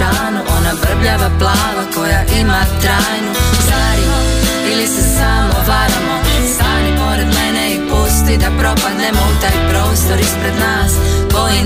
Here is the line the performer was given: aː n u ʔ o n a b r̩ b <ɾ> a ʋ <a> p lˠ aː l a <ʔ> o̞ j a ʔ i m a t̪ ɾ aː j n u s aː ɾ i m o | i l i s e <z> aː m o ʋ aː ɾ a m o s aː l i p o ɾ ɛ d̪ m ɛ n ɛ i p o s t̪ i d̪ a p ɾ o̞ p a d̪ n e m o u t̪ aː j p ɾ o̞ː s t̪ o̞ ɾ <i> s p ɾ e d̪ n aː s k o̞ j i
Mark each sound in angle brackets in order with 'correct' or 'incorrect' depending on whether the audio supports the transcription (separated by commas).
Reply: incorrect, correct, incorrect, incorrect, correct